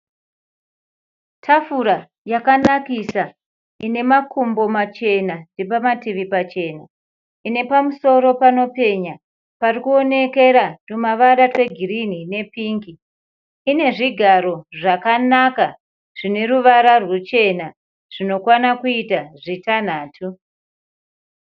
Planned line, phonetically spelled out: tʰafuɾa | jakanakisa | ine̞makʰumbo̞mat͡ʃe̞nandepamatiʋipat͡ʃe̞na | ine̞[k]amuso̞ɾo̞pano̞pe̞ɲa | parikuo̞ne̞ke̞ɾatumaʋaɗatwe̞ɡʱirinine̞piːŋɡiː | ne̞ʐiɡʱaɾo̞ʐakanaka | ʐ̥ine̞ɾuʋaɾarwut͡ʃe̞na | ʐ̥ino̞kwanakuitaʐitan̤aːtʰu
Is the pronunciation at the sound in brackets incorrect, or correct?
incorrect